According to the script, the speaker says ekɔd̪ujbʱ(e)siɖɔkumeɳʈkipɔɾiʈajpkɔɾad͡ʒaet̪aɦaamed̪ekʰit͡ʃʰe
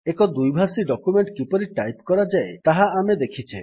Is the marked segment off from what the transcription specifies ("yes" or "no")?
yes